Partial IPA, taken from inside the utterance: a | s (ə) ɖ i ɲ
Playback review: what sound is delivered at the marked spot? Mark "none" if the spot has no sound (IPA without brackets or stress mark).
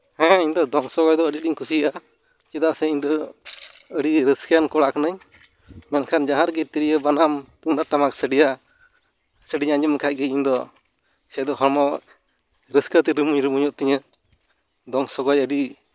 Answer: ə